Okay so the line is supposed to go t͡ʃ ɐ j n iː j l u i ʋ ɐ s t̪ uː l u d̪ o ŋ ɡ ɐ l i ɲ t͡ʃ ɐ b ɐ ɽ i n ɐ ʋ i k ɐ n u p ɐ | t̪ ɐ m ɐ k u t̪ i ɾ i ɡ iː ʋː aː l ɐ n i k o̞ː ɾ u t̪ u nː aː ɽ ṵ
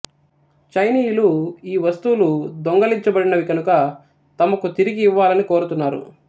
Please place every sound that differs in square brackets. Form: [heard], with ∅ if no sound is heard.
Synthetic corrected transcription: t͡ʃ ɐ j n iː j l u [iː] ʋ ɐ s t̪ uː l u d̪ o ŋ ɡ ɐ l i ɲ t͡ʃ ɐ b ɐ ɽ i n ɐ ʋ i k ɐ n u [k] ɐ | t̪ ɐ m ɐ k u t̪ i ɾ i ɡ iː ʋː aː l ɐ n i k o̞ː ɾ u t̪ u nː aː [ɾ] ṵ